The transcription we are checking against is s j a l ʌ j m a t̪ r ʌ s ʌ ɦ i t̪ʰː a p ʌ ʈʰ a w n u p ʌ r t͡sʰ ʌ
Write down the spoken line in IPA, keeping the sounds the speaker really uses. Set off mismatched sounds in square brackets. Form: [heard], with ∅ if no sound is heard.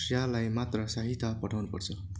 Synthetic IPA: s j a l [a] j m a t̪ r ʌ s [a] ɦ i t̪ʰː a p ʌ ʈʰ a w n u p ʌ r t͡sʰ ʌ

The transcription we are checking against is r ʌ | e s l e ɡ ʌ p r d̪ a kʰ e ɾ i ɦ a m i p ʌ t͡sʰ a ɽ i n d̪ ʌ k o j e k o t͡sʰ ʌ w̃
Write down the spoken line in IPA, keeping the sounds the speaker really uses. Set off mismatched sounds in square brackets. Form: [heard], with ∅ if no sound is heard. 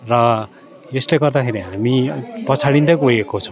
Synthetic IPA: r ʌ | e s l e ɡ ʌ [∅] r d̪ a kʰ e ɾ i ɦ a m i p ʌ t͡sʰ a ɽ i n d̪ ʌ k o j e k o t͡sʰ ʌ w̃

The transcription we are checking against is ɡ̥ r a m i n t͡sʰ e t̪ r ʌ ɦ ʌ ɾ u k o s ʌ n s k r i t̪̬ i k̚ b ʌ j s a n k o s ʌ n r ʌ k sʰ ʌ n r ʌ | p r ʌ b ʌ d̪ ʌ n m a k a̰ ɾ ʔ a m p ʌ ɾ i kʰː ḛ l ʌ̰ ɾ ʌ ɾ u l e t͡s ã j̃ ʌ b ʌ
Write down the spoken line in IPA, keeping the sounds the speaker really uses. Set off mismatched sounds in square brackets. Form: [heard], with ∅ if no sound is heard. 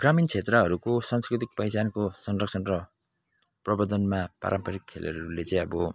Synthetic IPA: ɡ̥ r a m i n t͡sʰ e t̪ r ʌ ɦ ʌ ɾ u k o s [a] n s k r i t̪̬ i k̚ [p] ʌ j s a n k o s ʌ n r ʌ k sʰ ʌ n r ʌ | p r ʌ b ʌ d̪ ʌ n m a [p] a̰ ɾ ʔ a m p ʌ ɾ i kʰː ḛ l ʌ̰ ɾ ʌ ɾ u l e t͡s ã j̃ ʌ b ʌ

